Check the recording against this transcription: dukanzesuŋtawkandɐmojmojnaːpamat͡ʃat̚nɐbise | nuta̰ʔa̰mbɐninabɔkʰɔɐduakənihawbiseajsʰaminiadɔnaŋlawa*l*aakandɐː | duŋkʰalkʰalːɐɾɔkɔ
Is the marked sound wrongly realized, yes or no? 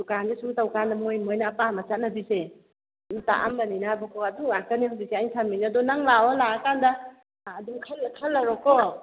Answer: no